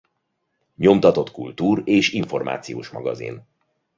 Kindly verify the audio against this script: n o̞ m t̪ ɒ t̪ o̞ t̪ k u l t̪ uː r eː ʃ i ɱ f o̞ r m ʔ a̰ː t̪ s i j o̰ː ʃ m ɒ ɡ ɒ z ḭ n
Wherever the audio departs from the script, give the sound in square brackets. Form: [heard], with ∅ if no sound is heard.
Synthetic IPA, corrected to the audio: [ɲ] o̞ m t̪ ɒ t̪ o̞ t̪ k u l t̪ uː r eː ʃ i ɱ f o̞ r m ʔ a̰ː t̪ s i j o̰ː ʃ m ɒ ɡ ɒ z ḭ n